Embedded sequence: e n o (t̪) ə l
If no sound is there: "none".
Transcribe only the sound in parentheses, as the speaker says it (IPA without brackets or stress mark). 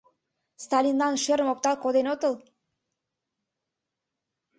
t̪